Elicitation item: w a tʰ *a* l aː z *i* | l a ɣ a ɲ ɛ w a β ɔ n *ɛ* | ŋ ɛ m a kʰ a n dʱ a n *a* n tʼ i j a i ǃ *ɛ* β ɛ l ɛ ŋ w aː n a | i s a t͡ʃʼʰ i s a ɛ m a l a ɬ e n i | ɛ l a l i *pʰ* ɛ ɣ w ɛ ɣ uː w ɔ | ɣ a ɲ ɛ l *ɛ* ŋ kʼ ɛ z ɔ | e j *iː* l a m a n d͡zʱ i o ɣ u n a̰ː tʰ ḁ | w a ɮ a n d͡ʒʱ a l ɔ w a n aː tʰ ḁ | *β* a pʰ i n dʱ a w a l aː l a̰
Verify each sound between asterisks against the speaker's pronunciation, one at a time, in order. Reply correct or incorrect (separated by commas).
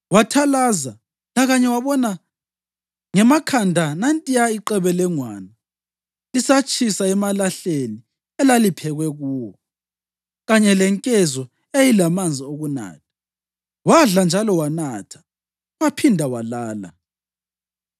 correct, incorrect, incorrect, correct, correct, correct, correct, incorrect, incorrect